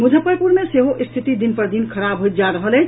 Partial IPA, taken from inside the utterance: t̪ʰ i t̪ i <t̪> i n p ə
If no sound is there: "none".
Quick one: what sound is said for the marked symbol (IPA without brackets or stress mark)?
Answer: d̪